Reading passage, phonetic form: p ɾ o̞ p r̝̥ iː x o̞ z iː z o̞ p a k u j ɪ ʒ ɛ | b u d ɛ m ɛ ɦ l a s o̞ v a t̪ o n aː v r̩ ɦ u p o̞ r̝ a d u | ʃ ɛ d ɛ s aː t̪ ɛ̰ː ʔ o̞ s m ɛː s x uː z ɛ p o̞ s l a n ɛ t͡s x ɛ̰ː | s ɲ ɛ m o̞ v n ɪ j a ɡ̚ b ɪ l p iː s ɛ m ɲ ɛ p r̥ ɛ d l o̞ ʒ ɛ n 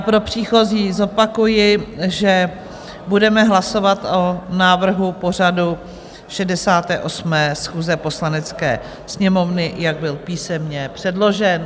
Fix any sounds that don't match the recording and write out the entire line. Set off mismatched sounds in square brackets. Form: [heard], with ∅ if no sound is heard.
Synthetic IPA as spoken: p ɾ o̞ p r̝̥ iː x o̞ z iː z o̞ p a k u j ɪ ʒ ɛ | b u d ɛ m ɛ ɦ l a s o̞ v a t̪ o n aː v r̩ ɦ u p o̞ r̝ a d u | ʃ ɛ d ɛ s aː t̪ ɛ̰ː ʔ o̞ s m ɛː s x uː z ɛ p o̞ s l a n ɛ t͡s [k] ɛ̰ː | s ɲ ɛ m o̞ v n ɪ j a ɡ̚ b ɪ l p iː s ɛ m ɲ ɛ p r̥ ɛ d l o̞ ʒ ɛ n